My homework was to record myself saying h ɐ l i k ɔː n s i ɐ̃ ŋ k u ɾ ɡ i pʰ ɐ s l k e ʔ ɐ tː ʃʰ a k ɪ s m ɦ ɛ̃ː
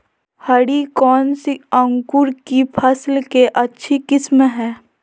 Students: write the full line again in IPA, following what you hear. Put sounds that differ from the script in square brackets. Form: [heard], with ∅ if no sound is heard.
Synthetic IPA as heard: h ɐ [ɽ] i k ɔː n s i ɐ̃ ŋ k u ɾ [k] i pʰ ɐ s l k e ʔ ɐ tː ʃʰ [i] k ɪ s m ɦ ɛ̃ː